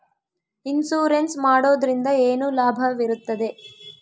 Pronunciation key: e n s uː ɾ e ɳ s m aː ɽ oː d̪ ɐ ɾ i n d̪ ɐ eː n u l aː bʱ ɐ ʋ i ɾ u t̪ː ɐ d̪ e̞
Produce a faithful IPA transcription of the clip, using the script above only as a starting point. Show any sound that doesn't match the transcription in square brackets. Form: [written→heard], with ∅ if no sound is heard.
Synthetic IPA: [e→i] n s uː ɾ e [ɳ→n] s m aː ɽ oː d̪ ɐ ɾ i n d̪ ɐ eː n u l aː bʱ ɐ ʋ i ɾ u t̪ː ɐ d̪ e̞